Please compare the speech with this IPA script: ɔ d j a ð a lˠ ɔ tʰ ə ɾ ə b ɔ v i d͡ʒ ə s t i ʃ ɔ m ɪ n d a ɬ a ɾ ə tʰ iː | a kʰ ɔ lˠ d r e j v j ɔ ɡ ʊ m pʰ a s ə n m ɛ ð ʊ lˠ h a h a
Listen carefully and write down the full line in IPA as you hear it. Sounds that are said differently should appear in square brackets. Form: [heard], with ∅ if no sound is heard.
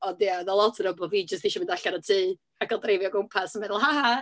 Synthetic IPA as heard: ɔ d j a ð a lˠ ɔ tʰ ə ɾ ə b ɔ v i d͡ʒ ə s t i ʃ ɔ m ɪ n d a ɬ a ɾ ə tʰ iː | a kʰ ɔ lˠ d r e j v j ɔ ɡ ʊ m pʰ a s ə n m ɛ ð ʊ lˠ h a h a